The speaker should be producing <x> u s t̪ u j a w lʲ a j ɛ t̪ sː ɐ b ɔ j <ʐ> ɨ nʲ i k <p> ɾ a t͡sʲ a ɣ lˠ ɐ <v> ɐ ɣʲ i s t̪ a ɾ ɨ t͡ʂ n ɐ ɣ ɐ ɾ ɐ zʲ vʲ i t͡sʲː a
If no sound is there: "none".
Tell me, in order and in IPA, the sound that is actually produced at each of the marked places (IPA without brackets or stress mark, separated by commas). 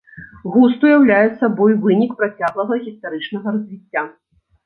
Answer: ɣ, v, p, ɣ